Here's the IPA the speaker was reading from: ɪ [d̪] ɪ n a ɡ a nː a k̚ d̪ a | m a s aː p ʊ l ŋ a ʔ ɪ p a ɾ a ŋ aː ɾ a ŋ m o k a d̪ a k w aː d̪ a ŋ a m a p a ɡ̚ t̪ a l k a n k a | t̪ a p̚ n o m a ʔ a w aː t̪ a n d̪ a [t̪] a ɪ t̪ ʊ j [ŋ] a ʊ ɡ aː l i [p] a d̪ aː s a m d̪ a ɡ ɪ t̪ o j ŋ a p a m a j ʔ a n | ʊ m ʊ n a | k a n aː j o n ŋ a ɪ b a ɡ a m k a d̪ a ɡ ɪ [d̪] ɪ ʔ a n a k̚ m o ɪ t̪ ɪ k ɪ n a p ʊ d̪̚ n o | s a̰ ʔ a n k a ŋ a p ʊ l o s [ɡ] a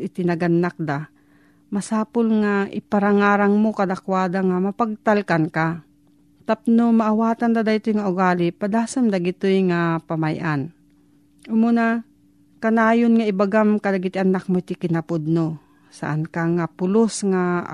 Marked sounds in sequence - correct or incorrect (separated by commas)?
incorrect, incorrect, correct, correct, incorrect, incorrect